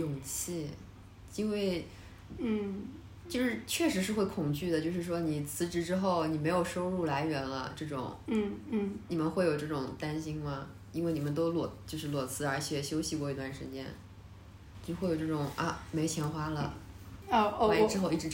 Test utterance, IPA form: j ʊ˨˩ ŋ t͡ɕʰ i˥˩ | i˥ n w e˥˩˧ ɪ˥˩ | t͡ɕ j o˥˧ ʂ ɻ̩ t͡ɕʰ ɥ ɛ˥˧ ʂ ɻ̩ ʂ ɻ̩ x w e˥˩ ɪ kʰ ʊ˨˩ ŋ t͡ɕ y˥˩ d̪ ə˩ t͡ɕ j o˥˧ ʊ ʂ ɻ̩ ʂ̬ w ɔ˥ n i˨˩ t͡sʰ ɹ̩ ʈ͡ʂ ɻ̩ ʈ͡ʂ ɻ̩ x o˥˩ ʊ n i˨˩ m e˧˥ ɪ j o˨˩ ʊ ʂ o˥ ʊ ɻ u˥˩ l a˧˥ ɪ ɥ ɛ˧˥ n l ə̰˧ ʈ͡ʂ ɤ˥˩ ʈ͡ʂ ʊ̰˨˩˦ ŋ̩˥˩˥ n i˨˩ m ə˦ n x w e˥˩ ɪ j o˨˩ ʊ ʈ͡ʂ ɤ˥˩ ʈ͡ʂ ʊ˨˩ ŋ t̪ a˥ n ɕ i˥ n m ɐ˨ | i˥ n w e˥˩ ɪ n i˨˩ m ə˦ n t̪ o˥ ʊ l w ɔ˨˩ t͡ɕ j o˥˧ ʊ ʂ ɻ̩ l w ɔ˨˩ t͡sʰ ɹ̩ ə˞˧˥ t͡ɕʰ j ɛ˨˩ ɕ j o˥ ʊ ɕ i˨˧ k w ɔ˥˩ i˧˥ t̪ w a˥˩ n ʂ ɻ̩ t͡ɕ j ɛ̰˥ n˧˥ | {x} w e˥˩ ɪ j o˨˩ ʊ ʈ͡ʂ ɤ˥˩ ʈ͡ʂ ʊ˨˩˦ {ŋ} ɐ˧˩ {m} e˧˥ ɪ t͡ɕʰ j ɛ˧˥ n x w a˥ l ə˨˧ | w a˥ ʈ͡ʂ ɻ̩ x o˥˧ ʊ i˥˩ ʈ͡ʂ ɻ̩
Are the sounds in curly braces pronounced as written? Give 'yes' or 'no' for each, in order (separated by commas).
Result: yes, yes, yes